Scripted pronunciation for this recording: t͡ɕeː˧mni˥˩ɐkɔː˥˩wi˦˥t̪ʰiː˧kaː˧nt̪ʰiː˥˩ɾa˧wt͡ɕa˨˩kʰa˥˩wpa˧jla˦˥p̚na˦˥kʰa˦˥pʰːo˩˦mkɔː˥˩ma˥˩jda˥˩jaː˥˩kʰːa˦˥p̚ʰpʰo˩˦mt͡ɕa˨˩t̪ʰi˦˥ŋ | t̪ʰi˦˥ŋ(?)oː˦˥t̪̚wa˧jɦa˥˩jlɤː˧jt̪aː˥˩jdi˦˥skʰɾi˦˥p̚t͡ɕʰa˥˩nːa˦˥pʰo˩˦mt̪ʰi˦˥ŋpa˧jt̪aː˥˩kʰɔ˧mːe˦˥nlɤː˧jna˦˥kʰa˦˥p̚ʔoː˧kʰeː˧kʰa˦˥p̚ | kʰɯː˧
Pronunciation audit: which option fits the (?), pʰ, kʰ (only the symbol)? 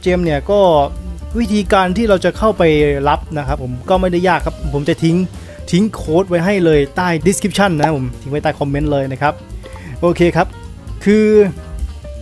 kʰ